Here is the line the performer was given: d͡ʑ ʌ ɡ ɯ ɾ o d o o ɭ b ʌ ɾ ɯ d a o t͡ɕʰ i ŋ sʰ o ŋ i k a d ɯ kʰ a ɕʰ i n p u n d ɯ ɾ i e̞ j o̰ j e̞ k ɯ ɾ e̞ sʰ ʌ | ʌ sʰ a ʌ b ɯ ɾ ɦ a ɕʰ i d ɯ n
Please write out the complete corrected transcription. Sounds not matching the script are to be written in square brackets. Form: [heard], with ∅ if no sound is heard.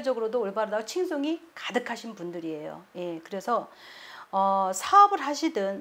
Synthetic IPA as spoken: d͡ʑ ʌ ɡ ɯ ɾ o d o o ɭ b [a] ɾ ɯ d a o t͡ɕʰ i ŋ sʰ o ŋ i k a d ɯ kʰ a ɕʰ i n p u n d ɯ ɾ i e̞ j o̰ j e̞ k ɯ ɾ e̞ sʰ ʌ | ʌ sʰ a ʌ b ɯ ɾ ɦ a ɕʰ i d ɯ n